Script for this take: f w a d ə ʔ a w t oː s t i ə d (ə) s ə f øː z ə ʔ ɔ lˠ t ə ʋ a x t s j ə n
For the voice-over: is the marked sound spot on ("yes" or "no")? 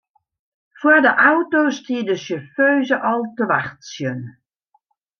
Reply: yes